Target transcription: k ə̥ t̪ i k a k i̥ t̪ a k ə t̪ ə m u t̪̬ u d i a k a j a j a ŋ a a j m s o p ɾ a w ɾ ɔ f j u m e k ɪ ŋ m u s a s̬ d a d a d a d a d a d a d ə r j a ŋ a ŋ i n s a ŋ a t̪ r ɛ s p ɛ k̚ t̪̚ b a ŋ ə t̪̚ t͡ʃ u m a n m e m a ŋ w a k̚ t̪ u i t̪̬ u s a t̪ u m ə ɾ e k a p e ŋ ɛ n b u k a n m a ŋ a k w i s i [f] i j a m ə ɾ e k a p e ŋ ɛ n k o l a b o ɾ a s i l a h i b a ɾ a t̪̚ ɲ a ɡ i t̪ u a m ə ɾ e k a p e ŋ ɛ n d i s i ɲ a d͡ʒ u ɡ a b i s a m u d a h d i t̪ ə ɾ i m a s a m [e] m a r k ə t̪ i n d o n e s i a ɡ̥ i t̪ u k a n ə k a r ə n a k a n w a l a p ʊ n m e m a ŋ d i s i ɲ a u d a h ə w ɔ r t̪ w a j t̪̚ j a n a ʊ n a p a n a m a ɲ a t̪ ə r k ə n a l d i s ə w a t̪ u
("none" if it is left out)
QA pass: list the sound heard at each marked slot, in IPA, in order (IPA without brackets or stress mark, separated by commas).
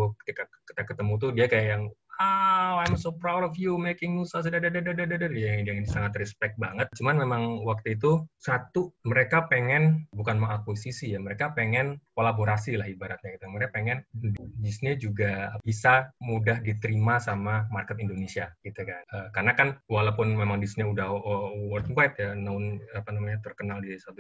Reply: s, a